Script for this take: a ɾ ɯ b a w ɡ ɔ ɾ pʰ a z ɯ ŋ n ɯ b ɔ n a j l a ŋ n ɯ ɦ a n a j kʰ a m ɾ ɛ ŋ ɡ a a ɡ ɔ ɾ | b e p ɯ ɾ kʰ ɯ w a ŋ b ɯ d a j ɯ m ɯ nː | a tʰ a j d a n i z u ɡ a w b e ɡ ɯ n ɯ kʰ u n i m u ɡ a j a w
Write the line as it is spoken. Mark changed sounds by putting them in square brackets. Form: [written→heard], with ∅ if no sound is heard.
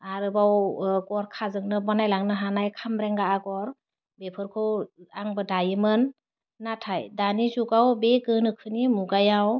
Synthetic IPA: a ɾ ɯ b a w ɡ ɔ ɾ [pʰ→kʰ] a z ɯ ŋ n ɯ b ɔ n a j l a ŋ n ɯ ɦ a n a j kʰ a m ɾ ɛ ŋ ɡ a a ɡ ɔ ɾ | b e [p→pʰ] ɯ ɾ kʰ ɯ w a ŋ b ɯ d a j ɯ m ɯ nː | a tʰ a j d a n i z u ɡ a w b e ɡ ɯ n ɯ kʰ [u→ɯ] n i m u ɡ a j a w